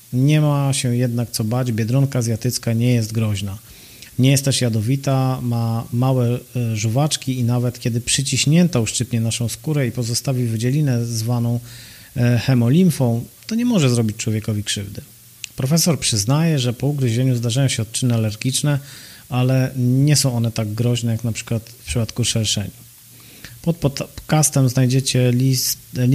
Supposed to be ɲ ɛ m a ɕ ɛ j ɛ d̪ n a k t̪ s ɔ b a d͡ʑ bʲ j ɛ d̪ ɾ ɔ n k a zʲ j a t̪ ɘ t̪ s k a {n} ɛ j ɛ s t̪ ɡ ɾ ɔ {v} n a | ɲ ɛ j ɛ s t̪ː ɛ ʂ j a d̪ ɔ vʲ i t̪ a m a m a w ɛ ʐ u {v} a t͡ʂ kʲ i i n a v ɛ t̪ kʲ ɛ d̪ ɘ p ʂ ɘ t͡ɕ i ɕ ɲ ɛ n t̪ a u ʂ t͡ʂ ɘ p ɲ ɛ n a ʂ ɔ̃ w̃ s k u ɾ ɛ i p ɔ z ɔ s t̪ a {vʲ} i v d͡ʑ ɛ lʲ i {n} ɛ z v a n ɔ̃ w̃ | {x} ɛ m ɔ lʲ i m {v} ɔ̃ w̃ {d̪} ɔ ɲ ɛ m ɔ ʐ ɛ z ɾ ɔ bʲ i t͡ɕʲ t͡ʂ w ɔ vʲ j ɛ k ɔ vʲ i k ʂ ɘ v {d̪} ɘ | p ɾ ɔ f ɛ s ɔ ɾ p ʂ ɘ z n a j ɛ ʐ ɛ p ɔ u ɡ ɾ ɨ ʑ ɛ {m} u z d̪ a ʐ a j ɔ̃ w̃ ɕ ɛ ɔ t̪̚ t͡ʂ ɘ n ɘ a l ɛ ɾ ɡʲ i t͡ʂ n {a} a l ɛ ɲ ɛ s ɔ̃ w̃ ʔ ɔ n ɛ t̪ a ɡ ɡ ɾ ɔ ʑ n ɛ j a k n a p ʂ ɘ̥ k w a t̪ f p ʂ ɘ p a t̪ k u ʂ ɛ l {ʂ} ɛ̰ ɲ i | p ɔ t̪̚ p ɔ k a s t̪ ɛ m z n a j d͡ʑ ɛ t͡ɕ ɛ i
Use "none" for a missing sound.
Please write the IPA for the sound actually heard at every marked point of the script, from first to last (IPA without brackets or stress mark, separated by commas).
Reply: ɲ, ʑ, v, vʲ, n, x, f, t̪, d̪, ɲ, ɛ, ʂ